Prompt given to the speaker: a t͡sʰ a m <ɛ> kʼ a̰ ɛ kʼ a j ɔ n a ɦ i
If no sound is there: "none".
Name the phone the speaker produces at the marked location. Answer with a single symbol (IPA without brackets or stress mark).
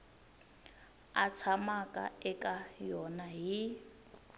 a